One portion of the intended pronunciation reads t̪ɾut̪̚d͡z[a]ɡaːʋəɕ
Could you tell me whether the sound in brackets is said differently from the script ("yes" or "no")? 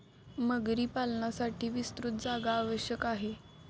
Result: no